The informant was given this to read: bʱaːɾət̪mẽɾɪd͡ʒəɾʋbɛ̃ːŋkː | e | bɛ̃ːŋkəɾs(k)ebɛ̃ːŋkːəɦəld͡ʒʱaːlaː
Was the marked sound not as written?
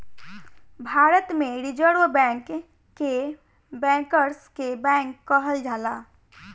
no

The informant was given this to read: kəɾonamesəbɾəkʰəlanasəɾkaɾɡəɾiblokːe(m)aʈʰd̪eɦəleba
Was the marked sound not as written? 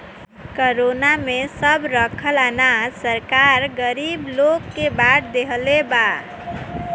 yes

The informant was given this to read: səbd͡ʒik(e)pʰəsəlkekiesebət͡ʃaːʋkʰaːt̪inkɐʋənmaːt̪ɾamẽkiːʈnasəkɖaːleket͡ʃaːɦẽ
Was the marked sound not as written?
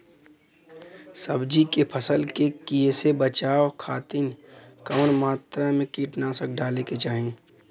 no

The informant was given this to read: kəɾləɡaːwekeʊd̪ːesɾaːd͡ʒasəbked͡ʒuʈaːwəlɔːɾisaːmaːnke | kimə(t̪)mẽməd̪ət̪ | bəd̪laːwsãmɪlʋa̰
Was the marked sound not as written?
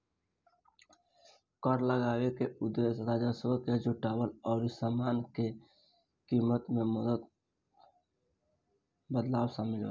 no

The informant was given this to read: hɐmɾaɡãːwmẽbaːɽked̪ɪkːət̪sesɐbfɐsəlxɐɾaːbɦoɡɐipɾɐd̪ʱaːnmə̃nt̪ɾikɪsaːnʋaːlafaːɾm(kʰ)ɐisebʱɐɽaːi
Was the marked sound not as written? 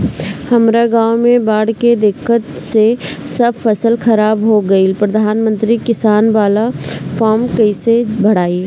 yes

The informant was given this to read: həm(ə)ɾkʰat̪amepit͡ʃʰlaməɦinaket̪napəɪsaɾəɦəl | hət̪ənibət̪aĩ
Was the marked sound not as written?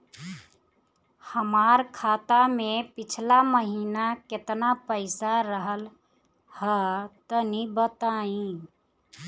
yes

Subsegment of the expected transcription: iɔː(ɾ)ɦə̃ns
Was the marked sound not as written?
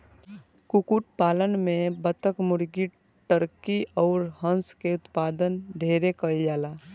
no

